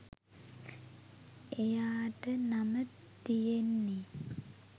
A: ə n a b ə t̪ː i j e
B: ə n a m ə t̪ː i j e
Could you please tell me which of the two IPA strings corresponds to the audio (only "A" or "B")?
B